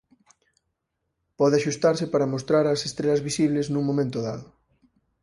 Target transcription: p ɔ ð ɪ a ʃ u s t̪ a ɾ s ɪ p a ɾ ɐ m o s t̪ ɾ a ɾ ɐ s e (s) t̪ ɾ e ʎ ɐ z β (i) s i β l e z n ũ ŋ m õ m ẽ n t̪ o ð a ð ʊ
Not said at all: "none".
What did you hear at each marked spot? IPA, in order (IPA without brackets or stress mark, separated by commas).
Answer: s, i